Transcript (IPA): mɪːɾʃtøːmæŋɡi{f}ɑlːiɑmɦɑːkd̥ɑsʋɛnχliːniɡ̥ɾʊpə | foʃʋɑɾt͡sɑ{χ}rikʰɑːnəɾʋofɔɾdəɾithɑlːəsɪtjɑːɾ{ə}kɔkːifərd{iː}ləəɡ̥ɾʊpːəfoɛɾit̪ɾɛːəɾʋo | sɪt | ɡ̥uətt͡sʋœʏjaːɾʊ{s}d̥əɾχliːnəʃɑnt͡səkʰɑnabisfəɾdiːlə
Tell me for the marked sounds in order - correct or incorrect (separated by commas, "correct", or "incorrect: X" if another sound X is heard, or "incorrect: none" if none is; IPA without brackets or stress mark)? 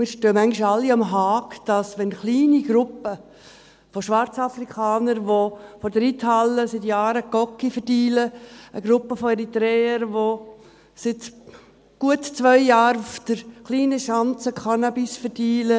incorrect: ʃ, incorrect: f, correct, correct, incorrect: f